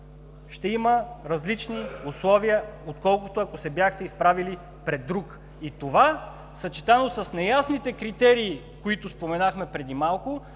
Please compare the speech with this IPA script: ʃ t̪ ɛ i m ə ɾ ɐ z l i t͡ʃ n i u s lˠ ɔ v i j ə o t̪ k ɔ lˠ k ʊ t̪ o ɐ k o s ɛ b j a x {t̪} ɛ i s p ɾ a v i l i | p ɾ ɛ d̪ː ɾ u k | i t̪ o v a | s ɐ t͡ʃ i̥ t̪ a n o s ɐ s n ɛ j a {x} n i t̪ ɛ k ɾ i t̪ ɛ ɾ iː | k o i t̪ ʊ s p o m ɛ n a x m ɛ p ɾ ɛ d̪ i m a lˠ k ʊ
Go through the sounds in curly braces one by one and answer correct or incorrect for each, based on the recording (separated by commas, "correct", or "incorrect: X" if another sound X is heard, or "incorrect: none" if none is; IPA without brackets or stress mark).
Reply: correct, incorrect: s